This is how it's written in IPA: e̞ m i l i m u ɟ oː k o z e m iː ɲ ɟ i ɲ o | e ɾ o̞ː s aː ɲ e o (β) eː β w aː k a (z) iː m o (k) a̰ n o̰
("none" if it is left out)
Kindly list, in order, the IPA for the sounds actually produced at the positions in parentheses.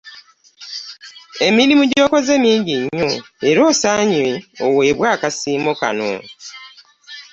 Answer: w, s, k

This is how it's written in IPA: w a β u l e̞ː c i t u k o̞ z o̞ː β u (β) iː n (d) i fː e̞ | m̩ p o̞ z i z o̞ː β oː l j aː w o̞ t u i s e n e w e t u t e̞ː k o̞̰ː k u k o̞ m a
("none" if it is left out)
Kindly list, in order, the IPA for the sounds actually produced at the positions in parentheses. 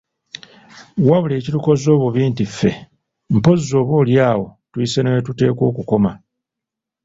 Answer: β, t

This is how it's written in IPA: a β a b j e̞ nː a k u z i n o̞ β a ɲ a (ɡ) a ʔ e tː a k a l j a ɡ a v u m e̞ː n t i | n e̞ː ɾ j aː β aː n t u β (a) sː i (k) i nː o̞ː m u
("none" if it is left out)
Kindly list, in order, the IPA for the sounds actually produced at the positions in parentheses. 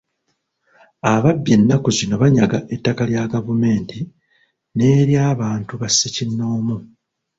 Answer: ɡ, a, c

